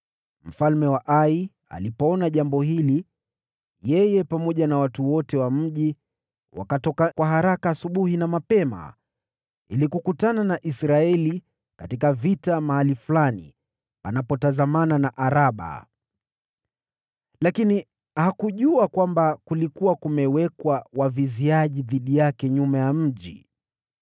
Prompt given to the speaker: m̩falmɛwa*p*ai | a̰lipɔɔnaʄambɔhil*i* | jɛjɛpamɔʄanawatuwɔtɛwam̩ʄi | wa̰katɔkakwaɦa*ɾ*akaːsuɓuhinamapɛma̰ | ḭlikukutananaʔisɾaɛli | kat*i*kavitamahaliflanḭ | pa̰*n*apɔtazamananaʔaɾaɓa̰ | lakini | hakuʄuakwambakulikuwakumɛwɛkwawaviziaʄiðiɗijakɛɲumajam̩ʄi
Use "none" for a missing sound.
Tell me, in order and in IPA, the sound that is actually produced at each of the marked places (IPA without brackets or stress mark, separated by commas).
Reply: ʔ, i, ɾ, i, n